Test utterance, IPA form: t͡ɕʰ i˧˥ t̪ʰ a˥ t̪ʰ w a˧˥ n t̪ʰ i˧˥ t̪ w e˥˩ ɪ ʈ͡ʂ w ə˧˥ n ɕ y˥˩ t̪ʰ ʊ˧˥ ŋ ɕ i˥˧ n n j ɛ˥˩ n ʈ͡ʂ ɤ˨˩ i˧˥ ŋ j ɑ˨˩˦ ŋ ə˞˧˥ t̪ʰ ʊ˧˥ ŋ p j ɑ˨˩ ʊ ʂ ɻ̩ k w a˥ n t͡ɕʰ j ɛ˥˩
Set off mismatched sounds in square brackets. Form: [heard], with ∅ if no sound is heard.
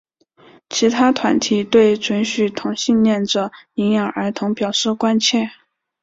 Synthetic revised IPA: t͡ɕʰ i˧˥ t̪ʰ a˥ t̪ʰ w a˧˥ n t̪ʰ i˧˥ t̪ w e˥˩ ɪ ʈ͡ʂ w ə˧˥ n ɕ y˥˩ t̪ʰ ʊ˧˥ ŋ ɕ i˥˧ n n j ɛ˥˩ n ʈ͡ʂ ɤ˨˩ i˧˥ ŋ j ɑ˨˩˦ ŋ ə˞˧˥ t̪ʰ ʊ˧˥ ŋ p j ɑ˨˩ ʊ ʂ ɻ̩ k w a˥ n t͡ɕʰ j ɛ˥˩